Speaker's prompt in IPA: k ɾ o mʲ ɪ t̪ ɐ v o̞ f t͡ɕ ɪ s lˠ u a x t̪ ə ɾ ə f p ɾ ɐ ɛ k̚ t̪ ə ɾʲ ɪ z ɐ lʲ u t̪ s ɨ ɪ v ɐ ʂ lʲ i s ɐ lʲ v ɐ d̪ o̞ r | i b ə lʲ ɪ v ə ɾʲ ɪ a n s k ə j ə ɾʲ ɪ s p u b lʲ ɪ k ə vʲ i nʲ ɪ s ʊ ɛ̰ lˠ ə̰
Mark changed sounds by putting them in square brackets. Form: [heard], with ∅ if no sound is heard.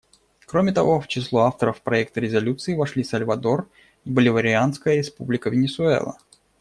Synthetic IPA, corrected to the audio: k ɾ o mʲ ɪ t̪ ɐ v o̞ f t͡ɕ ɪ s lˠ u a [f] t̪ ə ɾ ə f p ɾ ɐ ɛ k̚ t̪ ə ɾʲ ɪ z ɐ lʲ u t̪ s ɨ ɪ v ɐ ʂ lʲ i s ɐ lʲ v ɐ d̪ o̞ r | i b ə lʲ ɪ v ə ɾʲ ɪ a n s k ə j ə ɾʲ ɪ s p u b lʲ ɪ k ə vʲ [ɪ] nʲ ɪ s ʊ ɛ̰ lˠ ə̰